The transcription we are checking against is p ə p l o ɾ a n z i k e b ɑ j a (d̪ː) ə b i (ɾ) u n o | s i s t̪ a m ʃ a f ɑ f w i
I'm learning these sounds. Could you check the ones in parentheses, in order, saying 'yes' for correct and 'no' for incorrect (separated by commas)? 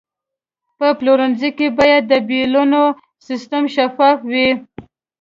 yes, no